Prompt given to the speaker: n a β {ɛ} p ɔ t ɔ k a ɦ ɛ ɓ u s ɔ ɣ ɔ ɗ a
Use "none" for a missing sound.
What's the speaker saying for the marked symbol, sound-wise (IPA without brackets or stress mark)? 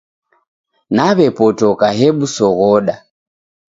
ɛ